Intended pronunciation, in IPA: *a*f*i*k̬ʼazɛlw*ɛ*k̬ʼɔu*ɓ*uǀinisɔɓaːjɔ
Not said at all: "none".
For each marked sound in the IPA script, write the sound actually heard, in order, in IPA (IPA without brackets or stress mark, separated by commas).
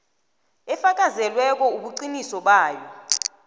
ɛ, a, ɛ, ɓ